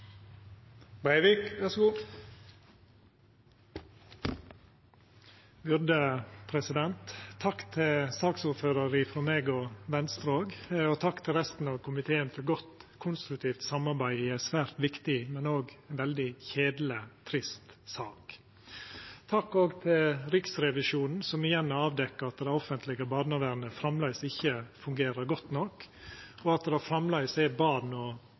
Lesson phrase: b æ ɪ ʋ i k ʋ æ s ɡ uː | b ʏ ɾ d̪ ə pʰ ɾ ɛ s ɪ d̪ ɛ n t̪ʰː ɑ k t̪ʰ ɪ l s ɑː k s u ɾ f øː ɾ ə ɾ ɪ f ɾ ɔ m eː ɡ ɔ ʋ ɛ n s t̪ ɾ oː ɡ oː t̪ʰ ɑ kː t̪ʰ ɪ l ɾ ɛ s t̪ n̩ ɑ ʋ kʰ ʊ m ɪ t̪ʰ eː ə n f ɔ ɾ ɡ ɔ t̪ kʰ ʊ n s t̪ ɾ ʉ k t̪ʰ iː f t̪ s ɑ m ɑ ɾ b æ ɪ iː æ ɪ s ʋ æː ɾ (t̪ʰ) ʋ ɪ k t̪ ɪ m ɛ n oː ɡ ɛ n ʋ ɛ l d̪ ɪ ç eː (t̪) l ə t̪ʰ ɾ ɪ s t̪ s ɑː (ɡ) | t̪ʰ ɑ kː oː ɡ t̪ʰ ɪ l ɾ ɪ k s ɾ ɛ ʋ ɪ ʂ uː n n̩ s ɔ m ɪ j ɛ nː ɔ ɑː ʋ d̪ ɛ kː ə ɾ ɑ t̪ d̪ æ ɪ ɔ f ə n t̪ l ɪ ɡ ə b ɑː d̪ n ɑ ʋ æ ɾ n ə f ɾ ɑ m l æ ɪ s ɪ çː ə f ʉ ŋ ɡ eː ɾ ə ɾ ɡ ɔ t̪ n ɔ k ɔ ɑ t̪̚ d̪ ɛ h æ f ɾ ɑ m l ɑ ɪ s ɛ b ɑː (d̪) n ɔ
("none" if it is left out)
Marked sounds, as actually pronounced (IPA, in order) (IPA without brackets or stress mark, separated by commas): t̪, d̪, k, d̪